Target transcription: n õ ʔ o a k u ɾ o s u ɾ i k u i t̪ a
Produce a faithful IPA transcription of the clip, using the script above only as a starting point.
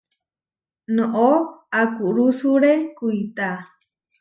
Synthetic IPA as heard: n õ ʔ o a k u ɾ u s u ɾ e k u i t̪ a